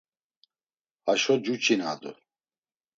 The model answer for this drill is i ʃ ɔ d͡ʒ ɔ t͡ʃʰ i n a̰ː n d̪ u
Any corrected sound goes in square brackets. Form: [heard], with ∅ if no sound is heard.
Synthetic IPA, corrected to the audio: [a] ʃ ɔ d͡ʒ [u] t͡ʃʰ i n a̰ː [∅] d̪ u